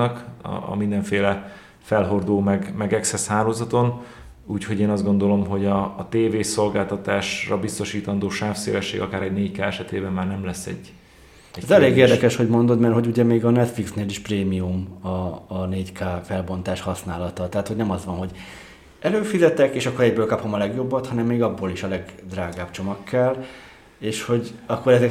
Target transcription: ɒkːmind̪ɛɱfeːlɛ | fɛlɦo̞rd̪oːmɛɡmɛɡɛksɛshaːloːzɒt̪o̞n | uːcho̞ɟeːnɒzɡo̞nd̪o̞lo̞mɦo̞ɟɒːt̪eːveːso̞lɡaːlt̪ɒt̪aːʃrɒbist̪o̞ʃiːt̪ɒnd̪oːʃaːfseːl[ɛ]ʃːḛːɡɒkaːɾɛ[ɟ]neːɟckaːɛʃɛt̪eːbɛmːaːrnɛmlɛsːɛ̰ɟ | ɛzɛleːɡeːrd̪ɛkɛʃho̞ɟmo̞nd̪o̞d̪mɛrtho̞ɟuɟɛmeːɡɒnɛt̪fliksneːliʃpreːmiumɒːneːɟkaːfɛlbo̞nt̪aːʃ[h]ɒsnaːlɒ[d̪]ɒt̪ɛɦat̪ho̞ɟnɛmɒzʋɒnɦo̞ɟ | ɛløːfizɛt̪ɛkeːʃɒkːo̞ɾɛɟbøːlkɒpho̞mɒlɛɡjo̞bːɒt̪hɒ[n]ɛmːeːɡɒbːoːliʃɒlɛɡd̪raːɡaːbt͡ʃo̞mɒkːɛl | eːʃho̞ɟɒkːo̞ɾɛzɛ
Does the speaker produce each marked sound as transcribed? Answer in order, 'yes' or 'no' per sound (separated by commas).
yes, yes, yes, no, yes